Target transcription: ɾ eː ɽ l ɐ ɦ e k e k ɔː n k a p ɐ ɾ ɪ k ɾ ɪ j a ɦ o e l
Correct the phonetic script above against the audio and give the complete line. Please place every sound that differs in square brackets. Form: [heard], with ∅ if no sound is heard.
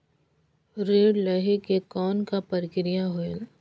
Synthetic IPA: ɾ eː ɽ l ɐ ɦ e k e k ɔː n k a p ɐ ɾ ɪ k ɾ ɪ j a ɦ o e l